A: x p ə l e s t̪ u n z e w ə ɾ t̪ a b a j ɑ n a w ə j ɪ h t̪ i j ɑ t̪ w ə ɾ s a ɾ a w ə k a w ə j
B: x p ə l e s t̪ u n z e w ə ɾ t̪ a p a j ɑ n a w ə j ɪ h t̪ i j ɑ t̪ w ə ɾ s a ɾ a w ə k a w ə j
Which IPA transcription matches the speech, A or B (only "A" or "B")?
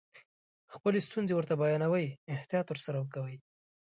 A